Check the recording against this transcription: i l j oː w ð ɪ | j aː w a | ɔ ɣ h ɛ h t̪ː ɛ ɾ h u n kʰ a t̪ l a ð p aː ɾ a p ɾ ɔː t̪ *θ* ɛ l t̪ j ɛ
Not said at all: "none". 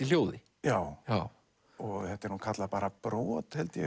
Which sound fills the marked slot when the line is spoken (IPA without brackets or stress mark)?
h